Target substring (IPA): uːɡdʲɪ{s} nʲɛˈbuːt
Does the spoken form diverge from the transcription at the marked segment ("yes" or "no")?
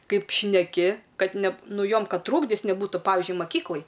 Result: no